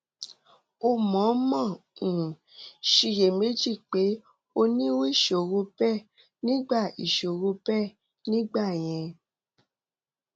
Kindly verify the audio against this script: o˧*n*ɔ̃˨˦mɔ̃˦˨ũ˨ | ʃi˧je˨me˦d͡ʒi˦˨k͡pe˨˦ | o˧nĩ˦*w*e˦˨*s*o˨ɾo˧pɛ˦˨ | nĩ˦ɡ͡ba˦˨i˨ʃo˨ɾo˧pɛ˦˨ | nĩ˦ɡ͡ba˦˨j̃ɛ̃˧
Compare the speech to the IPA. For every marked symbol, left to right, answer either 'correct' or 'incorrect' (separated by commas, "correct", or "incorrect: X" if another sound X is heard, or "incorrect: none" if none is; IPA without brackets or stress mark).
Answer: incorrect: m, correct, incorrect: ʃ